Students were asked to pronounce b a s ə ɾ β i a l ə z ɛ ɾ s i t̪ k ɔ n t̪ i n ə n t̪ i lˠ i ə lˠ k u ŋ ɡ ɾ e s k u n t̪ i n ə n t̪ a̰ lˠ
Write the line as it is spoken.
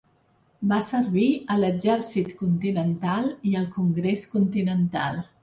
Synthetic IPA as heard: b a s ə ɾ β i ə l ə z ɛ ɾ s i t̪ k u n t̪ i n ə n t̪ a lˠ i ə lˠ k u ŋ ɡ ɾ e s k u n t̪ i n ə n t̪ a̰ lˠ